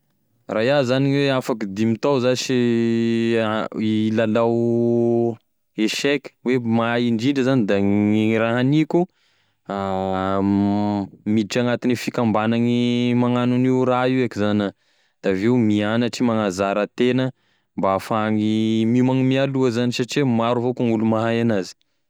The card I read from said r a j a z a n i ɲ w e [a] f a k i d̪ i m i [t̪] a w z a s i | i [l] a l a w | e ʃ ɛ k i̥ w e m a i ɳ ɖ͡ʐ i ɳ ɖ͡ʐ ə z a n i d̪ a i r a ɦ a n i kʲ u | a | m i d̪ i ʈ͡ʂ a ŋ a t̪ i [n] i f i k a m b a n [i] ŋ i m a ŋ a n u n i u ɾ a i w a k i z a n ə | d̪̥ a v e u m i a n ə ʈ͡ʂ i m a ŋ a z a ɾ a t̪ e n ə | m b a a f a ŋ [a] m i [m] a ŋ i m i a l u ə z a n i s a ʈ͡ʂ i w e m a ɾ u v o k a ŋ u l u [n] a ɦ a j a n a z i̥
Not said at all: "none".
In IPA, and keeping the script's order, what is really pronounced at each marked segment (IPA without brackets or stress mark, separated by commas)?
a, t̪, l, n, a, i, m, m